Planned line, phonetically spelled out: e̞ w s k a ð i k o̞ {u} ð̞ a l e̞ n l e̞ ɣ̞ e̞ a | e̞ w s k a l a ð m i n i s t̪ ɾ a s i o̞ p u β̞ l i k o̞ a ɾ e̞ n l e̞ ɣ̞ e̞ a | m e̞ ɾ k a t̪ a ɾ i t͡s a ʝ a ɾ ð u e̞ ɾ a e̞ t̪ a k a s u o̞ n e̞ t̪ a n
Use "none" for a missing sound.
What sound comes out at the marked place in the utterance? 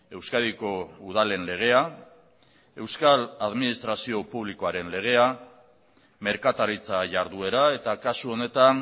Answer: u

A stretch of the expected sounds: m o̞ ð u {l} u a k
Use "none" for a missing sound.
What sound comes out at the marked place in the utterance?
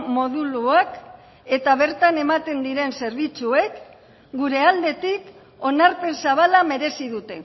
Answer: l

